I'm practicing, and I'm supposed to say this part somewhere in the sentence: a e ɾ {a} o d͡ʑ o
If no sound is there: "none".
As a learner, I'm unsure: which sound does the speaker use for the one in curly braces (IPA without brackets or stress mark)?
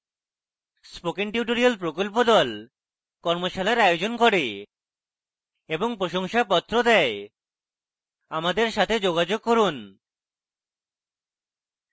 a